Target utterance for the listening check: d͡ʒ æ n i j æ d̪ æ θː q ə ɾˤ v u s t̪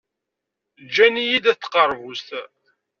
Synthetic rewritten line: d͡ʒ æ n i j i d̪ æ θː q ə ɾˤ v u s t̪